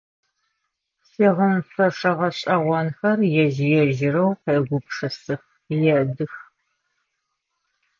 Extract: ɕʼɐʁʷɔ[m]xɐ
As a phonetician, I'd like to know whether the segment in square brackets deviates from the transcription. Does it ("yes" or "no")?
yes